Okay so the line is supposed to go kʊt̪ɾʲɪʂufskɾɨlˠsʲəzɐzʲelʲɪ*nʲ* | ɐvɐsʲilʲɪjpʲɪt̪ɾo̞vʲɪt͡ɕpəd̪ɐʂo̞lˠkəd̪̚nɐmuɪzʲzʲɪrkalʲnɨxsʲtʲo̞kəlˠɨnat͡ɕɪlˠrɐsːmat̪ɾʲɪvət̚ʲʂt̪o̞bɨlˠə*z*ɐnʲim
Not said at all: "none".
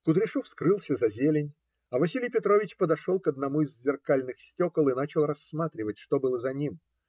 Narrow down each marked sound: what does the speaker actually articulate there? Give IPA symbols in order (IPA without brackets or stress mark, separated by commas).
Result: nʲ, z